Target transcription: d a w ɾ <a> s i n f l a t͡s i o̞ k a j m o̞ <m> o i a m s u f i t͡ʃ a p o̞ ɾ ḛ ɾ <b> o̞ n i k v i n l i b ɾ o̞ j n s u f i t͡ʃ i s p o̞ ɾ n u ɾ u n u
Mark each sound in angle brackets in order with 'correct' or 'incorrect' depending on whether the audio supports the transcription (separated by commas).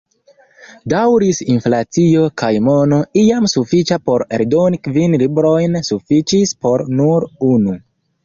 incorrect, incorrect, incorrect